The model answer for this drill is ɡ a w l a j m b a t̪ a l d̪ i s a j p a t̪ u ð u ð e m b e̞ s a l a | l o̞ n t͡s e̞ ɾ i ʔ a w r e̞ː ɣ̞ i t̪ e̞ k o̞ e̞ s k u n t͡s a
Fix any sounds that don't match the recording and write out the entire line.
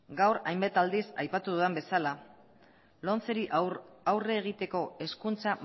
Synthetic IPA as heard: ɡ a w ɾ a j m b a t̪ a l d̪ i s a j p a t̪ u ð u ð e m b e̞ s a l a | l o̞ n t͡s e̞ ɾ i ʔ a w r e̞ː ɣ̞ i t̪ e̞ k o̞ e̞ s k u n t͡s a